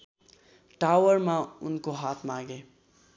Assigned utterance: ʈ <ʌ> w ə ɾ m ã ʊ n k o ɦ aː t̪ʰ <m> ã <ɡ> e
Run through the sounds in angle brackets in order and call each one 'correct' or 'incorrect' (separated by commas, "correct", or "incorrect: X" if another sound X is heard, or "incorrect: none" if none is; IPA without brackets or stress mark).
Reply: incorrect: a, correct, correct